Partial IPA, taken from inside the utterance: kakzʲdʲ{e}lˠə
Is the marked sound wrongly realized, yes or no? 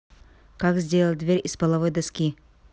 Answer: no